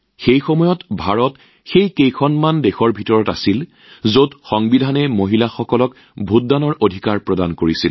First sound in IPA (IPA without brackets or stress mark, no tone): x